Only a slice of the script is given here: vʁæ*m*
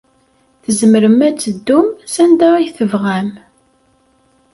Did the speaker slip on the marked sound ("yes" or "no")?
no